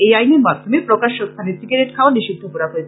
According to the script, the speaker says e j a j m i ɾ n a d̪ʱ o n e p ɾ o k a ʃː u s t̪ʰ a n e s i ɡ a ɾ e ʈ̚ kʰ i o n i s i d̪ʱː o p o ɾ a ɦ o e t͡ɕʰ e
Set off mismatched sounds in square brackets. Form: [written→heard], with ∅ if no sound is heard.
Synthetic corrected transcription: e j a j [m→n] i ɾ [n→m] a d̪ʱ o [n→m] e p ɾ o k a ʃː [u→o] s t̪ʰ a n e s i ɡ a ɾ e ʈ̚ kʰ [i→a] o n i [s→ʃ] i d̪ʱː o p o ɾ a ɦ o e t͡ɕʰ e